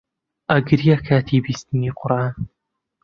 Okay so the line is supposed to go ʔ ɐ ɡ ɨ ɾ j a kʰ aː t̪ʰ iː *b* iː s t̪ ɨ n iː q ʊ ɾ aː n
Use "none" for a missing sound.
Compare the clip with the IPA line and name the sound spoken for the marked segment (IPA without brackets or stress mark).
b